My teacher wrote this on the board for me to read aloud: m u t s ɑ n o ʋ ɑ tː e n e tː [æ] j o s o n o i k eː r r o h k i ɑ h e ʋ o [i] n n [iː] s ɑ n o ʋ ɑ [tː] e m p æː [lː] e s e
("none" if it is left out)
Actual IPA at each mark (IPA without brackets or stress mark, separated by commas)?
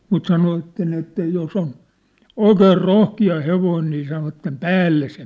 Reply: æ, i, iː, tː, lː